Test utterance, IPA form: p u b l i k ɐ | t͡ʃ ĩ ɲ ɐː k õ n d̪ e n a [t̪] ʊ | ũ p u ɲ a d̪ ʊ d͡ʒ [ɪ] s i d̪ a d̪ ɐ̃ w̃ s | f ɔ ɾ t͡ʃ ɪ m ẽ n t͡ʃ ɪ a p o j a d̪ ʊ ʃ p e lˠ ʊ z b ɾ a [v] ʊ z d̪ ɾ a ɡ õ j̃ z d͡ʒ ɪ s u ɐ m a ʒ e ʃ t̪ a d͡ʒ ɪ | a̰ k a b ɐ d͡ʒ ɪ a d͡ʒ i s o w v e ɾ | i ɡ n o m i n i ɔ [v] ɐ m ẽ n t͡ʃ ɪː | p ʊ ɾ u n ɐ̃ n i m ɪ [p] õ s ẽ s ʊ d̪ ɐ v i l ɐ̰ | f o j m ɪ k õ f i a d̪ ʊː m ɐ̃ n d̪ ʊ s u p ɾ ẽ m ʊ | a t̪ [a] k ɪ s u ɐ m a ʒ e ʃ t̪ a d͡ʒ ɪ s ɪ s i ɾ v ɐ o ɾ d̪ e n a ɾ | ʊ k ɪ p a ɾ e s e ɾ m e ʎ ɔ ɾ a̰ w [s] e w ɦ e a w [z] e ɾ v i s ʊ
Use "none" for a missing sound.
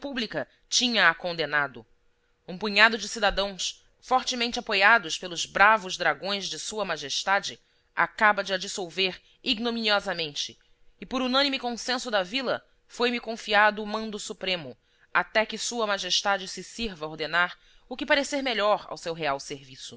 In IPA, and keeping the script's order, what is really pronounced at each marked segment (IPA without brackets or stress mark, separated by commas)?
d̪, ɪ, v, z, k, ɛ, s, s